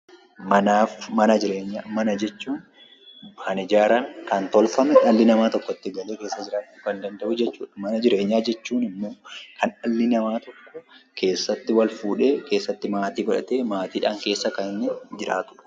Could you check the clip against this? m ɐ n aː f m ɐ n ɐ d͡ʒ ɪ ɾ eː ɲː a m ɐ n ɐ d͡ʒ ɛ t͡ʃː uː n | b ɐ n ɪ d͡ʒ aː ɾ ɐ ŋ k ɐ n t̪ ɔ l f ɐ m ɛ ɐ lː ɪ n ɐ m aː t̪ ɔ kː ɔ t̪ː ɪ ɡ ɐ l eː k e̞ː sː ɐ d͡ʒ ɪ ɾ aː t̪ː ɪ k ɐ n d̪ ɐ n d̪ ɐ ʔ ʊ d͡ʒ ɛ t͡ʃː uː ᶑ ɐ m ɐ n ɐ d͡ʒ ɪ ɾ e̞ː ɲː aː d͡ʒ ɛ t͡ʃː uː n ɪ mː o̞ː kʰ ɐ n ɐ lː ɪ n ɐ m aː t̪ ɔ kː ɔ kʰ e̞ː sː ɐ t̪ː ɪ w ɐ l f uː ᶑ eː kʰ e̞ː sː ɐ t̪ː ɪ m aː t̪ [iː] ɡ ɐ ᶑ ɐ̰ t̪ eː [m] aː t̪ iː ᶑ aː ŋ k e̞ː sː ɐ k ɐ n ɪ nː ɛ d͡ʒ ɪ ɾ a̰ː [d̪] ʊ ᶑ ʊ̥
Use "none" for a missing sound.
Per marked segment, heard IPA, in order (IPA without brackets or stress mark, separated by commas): iː, m, t̪